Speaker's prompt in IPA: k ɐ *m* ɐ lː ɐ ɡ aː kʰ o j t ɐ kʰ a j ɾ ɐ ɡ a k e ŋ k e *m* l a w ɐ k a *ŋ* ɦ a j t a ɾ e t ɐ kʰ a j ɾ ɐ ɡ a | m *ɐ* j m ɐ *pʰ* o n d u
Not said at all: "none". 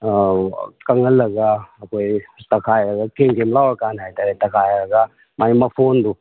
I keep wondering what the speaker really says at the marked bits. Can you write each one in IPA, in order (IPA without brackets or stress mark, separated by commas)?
ŋ, m, n, a, pʰ